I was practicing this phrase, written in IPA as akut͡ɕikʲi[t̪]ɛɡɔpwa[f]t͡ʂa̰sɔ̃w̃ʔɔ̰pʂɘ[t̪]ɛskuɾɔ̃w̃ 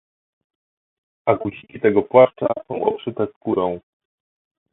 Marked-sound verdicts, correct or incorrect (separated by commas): correct, incorrect, correct